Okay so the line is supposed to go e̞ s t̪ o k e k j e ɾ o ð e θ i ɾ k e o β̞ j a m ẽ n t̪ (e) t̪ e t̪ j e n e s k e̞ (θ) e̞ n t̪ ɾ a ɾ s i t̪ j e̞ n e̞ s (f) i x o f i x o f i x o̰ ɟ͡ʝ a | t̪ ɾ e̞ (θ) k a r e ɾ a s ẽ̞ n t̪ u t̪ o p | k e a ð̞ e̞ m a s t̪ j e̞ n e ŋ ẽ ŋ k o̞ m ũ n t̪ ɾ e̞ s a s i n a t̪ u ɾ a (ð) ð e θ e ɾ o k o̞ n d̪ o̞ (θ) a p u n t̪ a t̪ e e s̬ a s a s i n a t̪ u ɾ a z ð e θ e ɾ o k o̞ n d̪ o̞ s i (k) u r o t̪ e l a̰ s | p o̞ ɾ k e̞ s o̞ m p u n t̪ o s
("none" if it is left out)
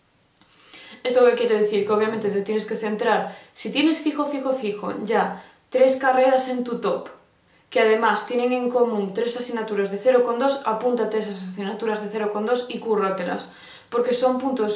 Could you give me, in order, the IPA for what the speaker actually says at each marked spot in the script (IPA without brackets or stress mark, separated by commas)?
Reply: e, θ, f, s, z, s, k